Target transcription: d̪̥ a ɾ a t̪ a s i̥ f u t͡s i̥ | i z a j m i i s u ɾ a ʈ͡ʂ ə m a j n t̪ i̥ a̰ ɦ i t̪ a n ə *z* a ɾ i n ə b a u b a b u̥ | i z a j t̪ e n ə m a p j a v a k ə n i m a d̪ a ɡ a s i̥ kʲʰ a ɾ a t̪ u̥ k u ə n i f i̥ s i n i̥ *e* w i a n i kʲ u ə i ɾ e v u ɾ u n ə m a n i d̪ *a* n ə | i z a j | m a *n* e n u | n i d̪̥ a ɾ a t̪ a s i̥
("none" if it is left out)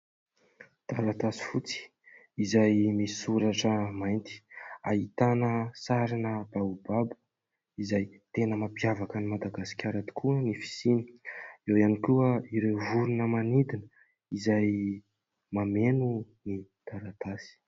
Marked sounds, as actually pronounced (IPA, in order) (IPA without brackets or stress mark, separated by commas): s, e, i, m